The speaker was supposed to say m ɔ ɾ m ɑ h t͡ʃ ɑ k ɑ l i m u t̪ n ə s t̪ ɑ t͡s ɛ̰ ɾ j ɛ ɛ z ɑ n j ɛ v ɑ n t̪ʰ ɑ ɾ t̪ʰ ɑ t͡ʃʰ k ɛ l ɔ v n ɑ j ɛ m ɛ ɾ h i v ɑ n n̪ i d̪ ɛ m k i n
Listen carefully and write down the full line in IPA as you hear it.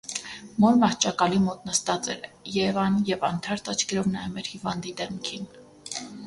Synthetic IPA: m ɔ ɾ m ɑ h t͡ʃ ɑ k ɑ l i m ɔ t̪ n ə s t̪ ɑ t͡s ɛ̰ ɾ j ɛ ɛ v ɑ n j ɛ v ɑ n t̪ʰ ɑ ɾ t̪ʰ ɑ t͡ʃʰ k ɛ ɾ ɔ v n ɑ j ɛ m ɛ ɾ h i v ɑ n d̪ i d̪ ɛ m kʰ i n